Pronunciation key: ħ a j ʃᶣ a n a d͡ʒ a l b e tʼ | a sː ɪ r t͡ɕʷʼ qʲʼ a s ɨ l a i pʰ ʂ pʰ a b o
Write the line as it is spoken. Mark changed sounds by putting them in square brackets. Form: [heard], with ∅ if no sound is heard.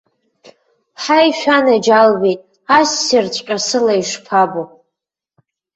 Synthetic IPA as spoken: ħ a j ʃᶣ a n a d͡ʒ a l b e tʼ | a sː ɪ r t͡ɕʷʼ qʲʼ a s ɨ l a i [∅] ʂ pʰ a b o